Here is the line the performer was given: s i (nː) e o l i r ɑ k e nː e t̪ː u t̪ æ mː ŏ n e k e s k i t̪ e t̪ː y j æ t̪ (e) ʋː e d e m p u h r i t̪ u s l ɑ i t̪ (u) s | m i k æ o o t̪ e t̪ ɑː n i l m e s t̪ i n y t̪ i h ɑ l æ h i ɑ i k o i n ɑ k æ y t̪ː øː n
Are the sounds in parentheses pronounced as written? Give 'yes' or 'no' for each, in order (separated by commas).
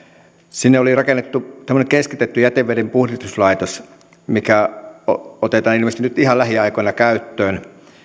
yes, yes, no